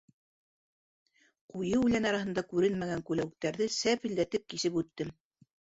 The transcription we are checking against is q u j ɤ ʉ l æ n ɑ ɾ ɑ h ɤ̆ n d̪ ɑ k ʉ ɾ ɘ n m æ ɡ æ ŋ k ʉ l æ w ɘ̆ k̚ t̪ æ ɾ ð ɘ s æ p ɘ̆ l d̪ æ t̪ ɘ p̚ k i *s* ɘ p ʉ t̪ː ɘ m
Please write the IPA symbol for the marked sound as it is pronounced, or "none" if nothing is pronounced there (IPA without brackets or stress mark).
s